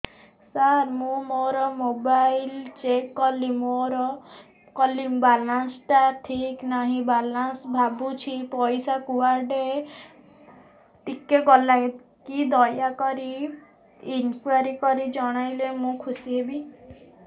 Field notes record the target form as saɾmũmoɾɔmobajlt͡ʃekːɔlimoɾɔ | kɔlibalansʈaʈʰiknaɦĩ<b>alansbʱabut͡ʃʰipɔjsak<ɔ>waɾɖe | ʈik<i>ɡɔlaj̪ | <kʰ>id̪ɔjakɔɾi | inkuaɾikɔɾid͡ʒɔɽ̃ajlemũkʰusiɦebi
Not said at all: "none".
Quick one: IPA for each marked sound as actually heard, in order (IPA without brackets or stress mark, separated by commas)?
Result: b, u, e, k